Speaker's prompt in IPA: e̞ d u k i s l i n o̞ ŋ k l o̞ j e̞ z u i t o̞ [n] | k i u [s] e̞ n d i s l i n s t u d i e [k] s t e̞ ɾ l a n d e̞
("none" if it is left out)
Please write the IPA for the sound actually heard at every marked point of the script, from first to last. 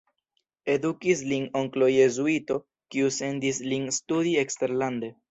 none, s, k

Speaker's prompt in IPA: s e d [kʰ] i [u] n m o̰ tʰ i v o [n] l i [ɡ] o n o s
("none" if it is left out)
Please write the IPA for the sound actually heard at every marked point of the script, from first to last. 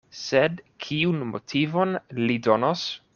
kʰ, u, n, d

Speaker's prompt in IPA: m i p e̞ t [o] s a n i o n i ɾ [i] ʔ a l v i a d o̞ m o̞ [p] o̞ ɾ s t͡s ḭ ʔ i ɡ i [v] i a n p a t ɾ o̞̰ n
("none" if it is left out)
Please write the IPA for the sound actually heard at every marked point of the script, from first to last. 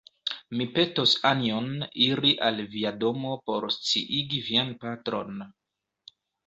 o, i, p, v

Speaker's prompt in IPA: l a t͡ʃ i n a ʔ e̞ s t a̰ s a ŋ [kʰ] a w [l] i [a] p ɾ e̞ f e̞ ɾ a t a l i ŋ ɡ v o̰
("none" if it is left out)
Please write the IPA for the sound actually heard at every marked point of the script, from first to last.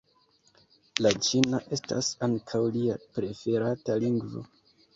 kʰ, l, a

